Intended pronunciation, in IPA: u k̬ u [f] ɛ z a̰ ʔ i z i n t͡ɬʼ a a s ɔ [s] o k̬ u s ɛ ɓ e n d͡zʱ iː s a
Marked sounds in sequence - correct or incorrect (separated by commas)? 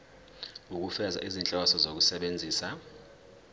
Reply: correct, incorrect